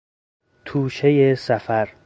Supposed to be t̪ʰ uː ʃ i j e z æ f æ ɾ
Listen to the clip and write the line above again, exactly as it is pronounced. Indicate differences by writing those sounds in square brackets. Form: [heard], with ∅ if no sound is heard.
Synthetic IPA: t̪ʰ uː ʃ [e] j e [s] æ f æ ɾ